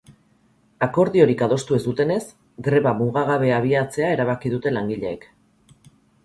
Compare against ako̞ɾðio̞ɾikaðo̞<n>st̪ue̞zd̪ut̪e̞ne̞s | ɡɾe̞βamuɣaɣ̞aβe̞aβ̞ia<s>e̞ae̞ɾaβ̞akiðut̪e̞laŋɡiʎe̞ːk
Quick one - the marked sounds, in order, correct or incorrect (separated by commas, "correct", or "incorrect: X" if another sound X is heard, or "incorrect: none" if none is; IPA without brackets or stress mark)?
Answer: incorrect: none, incorrect: t͡s